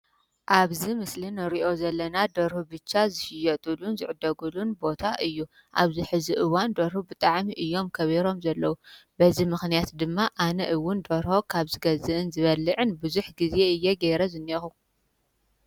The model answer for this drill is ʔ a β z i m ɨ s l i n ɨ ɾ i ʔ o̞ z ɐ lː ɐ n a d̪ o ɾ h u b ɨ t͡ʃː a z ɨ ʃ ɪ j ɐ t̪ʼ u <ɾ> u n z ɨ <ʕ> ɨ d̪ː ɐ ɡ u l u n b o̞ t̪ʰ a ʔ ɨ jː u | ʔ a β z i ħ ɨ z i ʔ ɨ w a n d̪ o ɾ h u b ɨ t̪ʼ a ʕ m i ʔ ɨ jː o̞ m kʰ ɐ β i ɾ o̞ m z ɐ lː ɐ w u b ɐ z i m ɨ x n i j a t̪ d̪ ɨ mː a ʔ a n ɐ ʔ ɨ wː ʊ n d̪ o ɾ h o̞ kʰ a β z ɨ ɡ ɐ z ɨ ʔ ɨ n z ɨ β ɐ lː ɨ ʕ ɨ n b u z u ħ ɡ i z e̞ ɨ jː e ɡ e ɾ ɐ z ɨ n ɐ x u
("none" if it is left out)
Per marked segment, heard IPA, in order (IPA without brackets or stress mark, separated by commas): l, ʕ